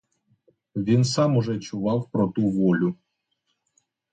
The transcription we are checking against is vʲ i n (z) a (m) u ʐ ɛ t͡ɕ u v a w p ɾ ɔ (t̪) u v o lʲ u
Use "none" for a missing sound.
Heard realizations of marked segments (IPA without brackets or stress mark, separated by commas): s, m, t̪